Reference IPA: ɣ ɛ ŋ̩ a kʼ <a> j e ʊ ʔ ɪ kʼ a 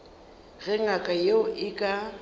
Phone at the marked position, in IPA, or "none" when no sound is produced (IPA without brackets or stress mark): a